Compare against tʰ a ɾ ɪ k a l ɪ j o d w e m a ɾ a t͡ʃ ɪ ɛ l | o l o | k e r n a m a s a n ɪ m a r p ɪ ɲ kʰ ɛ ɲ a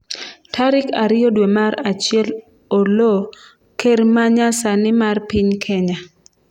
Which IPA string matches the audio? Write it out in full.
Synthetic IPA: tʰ a ɾ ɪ k a ɾ ɪ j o d w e m a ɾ a t͡ʃ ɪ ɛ l | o l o | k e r m a ɲ a s a n ɪ m a r p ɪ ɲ kʰ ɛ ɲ a